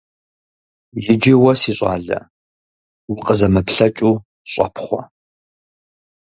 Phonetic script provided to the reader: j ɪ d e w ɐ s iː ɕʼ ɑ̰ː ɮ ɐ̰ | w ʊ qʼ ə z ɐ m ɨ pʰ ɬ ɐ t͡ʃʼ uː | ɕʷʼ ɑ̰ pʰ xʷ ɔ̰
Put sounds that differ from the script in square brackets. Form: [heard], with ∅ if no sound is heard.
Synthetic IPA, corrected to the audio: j ɪ [d͡ʒ] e w ɐ s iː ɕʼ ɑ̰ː ɮ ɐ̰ | w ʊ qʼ ə z ɐ m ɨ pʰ ɬ ɐ t͡ʃʼ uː | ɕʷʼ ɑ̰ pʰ [χʷ] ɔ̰